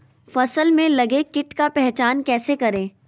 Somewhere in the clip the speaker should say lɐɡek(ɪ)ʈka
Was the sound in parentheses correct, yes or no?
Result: yes